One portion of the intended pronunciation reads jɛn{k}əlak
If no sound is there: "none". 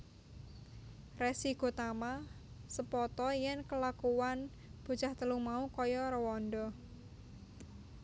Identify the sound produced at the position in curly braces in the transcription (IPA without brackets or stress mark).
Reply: k